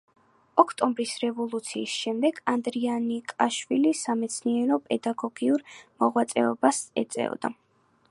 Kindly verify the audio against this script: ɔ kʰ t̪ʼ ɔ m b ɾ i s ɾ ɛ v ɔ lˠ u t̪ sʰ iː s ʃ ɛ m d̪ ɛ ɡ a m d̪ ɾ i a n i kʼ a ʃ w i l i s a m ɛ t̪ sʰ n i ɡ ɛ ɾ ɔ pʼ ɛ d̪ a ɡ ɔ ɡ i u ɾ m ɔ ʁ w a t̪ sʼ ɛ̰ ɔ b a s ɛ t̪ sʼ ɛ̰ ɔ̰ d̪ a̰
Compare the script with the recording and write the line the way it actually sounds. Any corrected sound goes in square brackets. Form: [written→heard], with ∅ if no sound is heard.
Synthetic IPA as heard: ɔ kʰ t̪ʼ ɔ m b ɾ i s ɾ ɛ v ɔ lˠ u t̪ sʰ iː s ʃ ɛ m d̪ ɛ ɡ a [m→n] d̪ ɾ i a n i kʼ a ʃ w i l i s a m ɛ t̪ sʰ n i [ɡ→∅] ɛ ɾ ɔ pʼ ɛ d̪ a ɡ ɔ ɡ i u ɾ m ɔ ʁ w a t̪ sʼ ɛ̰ ɔ b a s ɛ t̪ sʼ ɛ̰ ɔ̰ d̪ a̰